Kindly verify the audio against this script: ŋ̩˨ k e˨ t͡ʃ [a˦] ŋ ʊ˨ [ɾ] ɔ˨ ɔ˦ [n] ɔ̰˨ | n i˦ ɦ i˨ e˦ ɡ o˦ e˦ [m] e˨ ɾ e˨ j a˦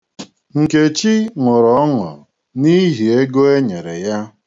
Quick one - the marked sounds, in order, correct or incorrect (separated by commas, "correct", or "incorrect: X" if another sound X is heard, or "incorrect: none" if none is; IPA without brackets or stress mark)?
incorrect: i˦, correct, incorrect: ŋ, incorrect: ɲ